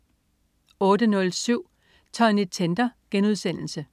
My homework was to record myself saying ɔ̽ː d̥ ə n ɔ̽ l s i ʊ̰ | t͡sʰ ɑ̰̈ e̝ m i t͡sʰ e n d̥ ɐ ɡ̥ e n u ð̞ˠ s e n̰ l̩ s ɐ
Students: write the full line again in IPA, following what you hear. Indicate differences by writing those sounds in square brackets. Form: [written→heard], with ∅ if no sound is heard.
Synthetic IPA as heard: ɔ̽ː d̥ ə n ɔ̽ l s [i→y] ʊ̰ | t͡sʰ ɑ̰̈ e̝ [m→n] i t͡sʰ e n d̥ ɐ ɡ̥ e n u ð̞ˠ s e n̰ l̩ s [ɐ→ə]